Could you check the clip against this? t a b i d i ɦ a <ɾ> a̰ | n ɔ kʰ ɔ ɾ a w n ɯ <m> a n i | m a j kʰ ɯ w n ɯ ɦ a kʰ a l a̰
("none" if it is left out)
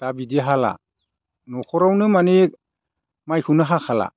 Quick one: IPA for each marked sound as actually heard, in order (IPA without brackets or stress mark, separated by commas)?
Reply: l, m